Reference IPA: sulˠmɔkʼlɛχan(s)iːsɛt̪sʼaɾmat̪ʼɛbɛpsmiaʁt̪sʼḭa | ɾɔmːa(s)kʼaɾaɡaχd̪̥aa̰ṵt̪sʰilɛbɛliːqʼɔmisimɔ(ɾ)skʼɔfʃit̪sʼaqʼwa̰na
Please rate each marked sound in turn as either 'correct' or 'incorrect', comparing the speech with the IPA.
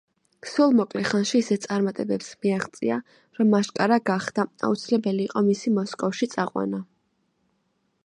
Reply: incorrect, incorrect, incorrect

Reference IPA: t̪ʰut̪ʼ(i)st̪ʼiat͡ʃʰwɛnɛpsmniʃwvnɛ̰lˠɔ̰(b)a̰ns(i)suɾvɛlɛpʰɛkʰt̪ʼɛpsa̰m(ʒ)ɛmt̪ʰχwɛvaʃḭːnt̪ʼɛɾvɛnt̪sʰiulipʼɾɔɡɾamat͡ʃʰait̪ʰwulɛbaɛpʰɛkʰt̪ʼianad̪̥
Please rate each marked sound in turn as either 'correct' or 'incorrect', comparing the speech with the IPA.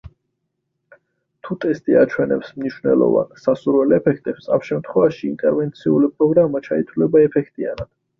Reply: incorrect, incorrect, incorrect, incorrect

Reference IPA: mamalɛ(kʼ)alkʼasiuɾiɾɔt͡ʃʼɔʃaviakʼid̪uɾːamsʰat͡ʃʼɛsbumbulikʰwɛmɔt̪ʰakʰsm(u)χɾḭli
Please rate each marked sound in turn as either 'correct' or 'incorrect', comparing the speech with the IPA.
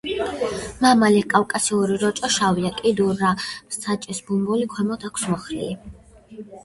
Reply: correct, incorrect

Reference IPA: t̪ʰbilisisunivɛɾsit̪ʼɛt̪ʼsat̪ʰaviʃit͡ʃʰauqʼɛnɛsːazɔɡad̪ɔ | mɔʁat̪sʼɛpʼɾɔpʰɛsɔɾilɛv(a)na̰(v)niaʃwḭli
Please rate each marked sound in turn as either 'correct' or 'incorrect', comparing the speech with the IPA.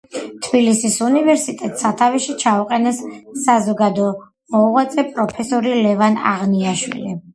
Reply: correct, incorrect

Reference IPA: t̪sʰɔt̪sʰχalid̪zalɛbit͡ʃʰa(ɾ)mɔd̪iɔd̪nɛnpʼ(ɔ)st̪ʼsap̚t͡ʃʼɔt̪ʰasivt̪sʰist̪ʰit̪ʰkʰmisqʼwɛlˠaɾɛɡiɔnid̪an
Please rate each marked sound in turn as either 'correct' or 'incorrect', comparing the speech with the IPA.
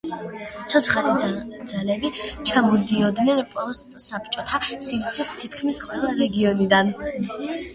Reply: incorrect, correct

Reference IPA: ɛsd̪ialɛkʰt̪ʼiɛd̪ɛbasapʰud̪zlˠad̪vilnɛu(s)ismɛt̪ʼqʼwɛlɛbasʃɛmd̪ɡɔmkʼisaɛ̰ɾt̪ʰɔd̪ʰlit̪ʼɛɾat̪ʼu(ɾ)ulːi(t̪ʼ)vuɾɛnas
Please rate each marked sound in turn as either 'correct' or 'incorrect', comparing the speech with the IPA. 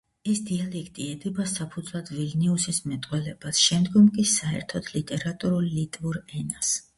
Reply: correct, correct, correct

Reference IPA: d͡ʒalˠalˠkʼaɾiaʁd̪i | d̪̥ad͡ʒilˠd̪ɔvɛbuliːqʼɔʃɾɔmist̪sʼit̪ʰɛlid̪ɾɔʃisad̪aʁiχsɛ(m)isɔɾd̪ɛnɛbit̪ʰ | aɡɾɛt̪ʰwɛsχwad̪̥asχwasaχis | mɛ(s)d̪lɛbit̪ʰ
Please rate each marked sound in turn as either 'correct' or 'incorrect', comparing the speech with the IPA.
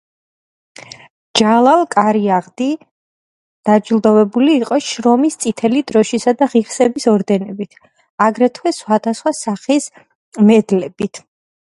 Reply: incorrect, incorrect

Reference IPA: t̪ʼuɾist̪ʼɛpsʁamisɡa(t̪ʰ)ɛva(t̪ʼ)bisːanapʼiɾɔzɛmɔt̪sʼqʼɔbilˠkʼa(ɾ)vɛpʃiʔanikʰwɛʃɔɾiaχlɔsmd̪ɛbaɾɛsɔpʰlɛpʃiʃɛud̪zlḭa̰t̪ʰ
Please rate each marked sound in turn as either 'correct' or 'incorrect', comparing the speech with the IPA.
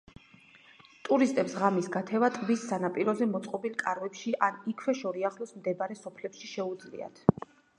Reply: correct, correct, correct

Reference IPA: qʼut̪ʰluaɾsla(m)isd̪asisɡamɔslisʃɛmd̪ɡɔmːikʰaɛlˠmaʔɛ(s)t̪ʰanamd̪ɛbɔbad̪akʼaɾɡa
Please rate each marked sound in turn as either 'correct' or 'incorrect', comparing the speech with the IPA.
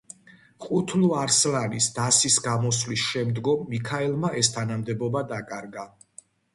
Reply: incorrect, correct

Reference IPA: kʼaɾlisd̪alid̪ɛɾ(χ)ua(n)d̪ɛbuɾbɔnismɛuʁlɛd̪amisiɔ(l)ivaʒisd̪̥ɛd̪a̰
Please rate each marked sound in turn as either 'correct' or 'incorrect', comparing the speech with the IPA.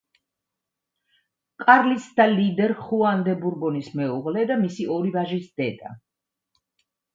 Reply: correct, correct, incorrect

